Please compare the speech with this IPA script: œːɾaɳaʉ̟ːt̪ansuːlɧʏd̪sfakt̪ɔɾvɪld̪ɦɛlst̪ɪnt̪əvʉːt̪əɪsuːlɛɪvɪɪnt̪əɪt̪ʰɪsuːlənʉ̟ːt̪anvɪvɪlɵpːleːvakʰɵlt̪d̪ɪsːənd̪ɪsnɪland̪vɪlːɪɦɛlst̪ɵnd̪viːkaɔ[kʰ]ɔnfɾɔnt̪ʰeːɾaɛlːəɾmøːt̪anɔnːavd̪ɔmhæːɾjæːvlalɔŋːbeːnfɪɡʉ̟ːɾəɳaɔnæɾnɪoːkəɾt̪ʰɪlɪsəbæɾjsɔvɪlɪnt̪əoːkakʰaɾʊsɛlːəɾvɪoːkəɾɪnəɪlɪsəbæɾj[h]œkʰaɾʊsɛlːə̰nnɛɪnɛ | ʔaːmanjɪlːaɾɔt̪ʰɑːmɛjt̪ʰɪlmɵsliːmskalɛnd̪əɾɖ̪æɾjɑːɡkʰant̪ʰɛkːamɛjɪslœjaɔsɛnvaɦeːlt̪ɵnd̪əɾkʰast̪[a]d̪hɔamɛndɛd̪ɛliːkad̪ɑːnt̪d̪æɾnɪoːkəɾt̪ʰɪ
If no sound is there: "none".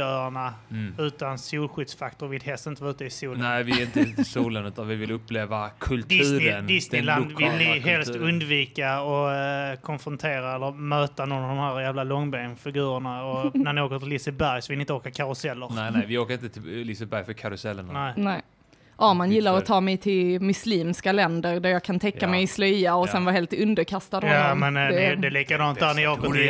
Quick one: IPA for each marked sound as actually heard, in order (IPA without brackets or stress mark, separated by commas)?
kʰ, f, a